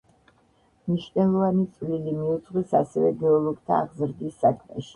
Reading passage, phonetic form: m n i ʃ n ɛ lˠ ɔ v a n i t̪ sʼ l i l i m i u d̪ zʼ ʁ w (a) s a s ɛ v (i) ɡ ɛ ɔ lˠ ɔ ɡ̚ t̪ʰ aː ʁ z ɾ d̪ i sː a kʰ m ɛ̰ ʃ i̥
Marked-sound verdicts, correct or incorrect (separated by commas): incorrect, incorrect